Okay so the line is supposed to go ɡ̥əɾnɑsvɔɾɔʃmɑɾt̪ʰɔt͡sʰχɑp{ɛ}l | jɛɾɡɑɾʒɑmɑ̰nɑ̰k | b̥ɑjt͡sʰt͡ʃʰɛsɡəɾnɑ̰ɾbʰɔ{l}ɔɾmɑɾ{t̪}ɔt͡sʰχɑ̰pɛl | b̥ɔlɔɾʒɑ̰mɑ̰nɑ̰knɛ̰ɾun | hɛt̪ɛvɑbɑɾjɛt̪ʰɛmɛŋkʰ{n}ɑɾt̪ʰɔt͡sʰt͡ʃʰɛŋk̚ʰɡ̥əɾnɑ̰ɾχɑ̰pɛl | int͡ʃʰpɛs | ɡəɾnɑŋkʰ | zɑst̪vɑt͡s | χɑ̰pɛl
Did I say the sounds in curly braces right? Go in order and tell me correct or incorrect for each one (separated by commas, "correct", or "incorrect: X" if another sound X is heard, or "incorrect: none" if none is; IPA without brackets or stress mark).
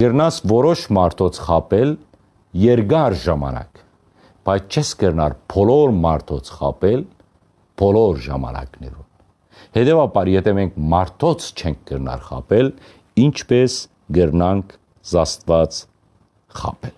correct, correct, incorrect: t̪ʰ, incorrect: m